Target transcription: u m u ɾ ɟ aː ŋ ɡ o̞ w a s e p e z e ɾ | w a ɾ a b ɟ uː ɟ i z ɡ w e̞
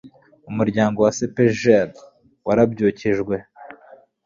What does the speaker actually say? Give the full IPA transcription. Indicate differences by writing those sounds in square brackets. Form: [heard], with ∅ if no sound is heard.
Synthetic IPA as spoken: u m u ɾ ɟ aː ŋ ɡ o̞ w a s e p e [ʒ] e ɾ | w a ɾ a b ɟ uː [c] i [ʒ] ɡ w e̞